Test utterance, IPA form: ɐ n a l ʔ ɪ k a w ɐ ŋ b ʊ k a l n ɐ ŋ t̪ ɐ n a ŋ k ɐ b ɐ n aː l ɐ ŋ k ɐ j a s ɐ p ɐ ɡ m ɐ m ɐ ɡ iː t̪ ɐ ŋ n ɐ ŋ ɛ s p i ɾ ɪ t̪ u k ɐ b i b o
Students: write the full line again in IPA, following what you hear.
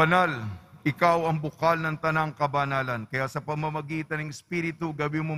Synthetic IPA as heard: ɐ n a l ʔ ɪ k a w ɐ ŋ b ʊ k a l n ɐ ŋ t̪ ɐ n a ŋ k ɐ b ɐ n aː l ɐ n k ɐ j a s ɐ p ɐ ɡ m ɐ m ɐ ɡ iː t̪ ɐ n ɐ ŋ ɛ s p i ɾ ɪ t̪ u ɡ ɐ b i m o